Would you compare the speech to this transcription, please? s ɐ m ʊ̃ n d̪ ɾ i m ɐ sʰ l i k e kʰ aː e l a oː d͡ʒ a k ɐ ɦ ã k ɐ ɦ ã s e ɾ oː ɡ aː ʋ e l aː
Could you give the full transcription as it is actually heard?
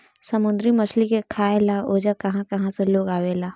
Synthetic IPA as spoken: s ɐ m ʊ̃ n d̪ ɾ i m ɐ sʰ l i k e kʰ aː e l a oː d͡ʒ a k ɐ ɦ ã k ɐ ɦ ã s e l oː ɡ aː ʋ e l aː